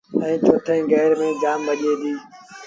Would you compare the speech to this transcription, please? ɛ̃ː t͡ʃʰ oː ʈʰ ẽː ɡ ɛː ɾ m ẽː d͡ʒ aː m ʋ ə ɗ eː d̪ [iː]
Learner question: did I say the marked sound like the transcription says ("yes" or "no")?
yes